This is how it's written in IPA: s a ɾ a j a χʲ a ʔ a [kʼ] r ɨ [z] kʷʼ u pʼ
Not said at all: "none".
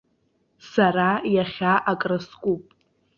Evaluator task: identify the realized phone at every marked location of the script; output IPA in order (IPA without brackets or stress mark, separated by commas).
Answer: kʼ, s